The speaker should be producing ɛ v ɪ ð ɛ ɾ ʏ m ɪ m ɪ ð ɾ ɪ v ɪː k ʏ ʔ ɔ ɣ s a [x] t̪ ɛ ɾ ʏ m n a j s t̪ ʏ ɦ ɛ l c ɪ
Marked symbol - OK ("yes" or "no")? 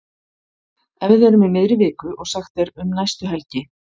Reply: yes